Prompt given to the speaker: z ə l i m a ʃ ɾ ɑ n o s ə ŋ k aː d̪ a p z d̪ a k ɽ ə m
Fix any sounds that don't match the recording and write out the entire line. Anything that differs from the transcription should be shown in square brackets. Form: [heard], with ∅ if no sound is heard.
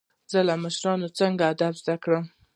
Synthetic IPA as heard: z ə l [a] m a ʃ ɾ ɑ n o [t͡s] ə ŋ [ɡ] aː d̪ a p z d̪ a k ɽ ə m